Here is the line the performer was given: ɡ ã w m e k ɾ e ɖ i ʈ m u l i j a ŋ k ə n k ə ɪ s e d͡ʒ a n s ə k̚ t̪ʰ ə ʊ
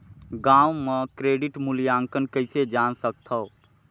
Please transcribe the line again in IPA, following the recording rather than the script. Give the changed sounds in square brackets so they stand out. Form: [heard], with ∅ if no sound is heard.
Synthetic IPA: ɡ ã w m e k ɾ e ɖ i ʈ m u l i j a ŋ k ə n k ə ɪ s e d͡ʒ a n s ə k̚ t̪ʰ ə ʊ